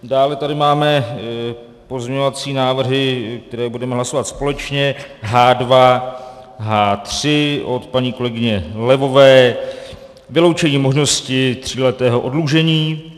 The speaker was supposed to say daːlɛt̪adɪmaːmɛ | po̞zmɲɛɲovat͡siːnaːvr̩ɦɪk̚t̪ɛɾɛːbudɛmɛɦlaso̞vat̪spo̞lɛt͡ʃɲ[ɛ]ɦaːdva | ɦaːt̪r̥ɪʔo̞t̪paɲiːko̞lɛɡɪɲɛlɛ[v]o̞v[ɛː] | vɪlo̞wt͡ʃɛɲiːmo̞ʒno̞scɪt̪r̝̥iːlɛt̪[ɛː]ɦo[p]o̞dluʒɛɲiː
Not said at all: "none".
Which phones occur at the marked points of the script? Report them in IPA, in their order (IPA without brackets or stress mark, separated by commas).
ɛ, v, ɛː, ɛː, ʔ